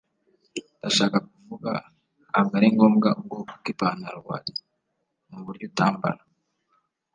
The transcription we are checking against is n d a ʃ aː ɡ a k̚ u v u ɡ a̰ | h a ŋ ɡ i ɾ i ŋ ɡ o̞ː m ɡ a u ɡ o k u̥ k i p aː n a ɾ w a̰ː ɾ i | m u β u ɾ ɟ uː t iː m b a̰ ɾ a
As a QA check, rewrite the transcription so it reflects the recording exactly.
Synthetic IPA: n d a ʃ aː k a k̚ u v u ɡ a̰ | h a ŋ ɡ a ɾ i ŋ ɡ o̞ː m ɡ a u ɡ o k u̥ k i p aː n a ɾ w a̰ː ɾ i | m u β u ɾ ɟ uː t aː m b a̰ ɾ a